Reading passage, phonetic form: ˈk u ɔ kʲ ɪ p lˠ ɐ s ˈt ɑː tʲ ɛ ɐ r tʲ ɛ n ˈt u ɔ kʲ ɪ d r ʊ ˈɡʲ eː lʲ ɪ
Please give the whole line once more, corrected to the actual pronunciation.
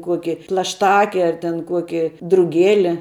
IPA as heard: ˈk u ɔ kʲ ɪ p lˠ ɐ ʃ ˈt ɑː kʲ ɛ ɐ r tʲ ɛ n ˈk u ɔ kʲ ɪ d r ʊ ˈɡʲ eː lʲ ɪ